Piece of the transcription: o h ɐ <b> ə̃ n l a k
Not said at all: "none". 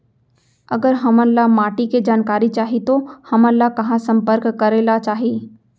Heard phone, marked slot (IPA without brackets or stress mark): m